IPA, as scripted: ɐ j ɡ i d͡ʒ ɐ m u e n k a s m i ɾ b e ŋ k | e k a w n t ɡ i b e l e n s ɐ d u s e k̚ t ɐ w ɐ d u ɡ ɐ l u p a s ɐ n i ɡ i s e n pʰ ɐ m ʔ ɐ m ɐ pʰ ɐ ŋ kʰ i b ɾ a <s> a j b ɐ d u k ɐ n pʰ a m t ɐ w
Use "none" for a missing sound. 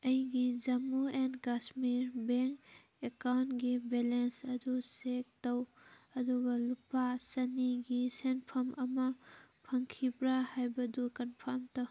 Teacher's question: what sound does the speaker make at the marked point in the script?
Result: h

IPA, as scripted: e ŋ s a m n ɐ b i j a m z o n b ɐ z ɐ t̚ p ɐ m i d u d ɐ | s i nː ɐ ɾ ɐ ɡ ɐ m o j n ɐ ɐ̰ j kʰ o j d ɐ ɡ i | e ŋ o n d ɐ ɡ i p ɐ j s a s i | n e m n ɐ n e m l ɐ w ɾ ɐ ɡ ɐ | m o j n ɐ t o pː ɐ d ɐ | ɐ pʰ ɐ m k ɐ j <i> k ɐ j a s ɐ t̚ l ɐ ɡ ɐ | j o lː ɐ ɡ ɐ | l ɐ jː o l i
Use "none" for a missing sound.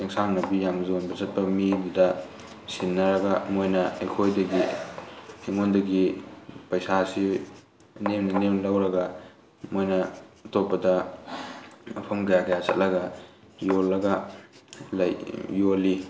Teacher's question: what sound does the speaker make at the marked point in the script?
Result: a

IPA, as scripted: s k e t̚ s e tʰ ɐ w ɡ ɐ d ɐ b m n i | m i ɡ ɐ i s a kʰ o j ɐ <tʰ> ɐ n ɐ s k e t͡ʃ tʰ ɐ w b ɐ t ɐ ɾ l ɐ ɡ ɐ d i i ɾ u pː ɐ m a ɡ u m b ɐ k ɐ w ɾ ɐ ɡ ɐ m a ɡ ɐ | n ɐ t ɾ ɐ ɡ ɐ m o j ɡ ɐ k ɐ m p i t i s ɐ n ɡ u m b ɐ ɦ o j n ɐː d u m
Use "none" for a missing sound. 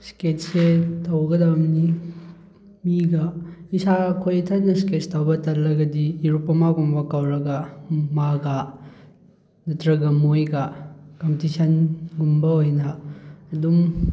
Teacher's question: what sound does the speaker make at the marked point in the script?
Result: tʰ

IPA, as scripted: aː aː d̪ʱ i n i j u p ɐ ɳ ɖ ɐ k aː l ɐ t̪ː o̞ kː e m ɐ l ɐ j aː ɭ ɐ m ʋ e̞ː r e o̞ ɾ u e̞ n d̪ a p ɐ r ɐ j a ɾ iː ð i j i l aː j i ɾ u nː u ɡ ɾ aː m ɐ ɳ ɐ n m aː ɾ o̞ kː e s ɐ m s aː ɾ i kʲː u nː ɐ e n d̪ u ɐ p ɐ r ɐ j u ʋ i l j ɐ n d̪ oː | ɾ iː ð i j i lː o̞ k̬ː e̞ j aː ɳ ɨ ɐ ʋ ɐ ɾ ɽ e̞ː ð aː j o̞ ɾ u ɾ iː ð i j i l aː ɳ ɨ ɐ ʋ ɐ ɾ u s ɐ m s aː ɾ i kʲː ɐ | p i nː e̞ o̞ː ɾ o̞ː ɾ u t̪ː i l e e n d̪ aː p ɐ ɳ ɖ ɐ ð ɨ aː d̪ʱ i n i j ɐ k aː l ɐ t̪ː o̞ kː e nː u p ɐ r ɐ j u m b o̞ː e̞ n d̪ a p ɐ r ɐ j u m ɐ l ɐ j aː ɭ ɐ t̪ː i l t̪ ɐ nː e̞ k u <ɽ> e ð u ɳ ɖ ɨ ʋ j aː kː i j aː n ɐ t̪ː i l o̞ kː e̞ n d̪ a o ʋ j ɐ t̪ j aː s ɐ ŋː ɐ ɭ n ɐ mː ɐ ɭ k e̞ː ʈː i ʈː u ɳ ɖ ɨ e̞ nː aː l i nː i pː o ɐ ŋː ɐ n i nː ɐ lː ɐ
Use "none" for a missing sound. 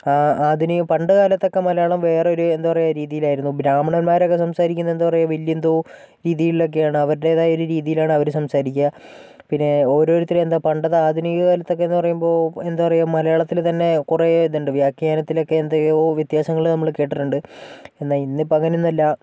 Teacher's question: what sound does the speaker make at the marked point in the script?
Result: r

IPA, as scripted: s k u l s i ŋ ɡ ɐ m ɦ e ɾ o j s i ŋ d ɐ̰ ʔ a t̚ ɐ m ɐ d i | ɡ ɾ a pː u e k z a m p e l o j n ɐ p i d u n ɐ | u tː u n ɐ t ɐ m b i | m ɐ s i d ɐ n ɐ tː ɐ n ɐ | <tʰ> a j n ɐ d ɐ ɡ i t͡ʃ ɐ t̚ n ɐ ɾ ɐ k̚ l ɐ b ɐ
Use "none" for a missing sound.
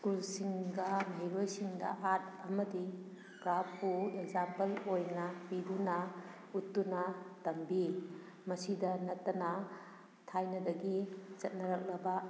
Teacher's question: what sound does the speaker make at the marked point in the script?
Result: tʰ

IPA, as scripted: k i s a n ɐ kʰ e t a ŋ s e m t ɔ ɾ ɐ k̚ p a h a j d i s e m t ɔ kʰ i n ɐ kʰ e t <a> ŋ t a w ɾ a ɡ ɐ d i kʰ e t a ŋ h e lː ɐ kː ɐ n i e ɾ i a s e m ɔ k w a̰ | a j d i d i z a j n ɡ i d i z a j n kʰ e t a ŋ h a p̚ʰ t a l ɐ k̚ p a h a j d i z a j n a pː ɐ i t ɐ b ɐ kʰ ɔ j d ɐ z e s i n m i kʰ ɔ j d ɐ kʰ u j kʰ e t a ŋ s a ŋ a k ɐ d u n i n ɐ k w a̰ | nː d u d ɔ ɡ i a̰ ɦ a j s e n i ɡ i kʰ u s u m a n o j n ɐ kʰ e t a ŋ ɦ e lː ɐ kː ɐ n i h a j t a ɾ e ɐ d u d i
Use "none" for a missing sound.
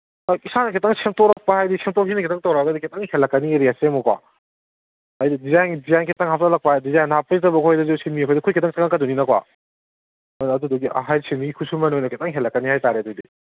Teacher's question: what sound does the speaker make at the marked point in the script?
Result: a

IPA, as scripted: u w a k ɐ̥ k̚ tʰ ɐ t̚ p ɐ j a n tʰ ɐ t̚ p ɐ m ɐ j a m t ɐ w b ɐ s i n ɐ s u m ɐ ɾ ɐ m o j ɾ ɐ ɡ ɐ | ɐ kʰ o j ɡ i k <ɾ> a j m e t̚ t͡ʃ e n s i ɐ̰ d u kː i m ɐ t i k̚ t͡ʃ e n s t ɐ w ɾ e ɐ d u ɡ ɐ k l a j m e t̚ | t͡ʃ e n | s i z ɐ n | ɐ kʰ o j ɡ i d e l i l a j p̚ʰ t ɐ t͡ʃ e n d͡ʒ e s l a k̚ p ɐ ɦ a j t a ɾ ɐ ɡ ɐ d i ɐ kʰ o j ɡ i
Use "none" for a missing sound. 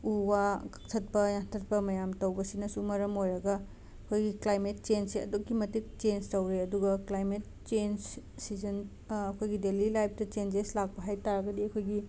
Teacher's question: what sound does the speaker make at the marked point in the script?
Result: l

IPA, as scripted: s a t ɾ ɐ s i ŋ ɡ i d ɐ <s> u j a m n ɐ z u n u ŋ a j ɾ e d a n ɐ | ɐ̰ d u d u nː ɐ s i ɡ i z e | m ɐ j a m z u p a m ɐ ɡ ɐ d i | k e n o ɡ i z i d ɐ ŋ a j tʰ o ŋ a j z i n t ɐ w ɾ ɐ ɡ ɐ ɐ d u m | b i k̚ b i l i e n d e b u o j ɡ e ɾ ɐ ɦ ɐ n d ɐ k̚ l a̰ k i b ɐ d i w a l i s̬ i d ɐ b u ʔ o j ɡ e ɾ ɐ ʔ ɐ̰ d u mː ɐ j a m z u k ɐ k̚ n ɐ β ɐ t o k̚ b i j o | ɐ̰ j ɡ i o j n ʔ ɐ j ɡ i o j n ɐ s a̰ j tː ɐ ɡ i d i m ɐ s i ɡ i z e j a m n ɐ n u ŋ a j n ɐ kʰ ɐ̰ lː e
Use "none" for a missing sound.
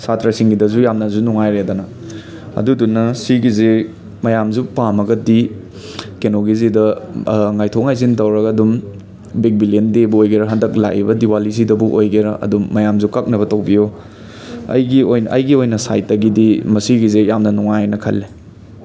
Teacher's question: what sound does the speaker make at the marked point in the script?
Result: z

